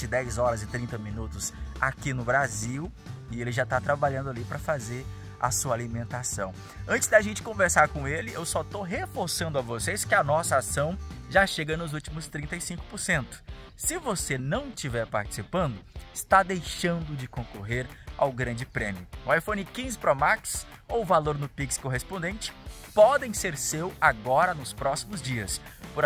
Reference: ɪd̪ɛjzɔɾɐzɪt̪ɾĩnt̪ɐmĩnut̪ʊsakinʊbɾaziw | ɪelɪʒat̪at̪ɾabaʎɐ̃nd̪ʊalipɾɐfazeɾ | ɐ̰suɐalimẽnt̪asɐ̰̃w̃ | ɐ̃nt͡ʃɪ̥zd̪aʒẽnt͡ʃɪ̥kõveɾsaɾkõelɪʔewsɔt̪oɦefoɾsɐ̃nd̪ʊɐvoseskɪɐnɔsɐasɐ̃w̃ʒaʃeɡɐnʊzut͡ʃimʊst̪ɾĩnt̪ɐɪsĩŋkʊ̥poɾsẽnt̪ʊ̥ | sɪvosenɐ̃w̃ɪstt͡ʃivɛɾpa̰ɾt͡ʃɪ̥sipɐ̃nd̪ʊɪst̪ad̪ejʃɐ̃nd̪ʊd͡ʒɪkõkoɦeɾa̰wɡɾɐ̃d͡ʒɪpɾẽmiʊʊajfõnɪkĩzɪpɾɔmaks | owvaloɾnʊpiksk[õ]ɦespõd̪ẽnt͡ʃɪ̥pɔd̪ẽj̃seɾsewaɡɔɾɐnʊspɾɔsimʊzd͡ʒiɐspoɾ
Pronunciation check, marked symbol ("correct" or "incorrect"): incorrect